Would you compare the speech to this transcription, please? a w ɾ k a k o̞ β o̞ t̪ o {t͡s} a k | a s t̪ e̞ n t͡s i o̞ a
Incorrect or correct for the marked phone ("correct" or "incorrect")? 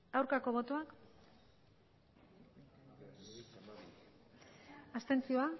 incorrect